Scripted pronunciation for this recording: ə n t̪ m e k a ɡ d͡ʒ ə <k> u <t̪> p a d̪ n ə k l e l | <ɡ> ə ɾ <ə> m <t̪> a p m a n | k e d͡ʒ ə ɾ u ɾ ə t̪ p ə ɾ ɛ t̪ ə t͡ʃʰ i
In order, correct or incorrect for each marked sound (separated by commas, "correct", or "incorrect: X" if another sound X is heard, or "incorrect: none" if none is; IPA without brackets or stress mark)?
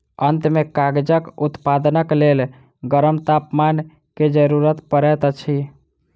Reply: correct, correct, correct, correct, correct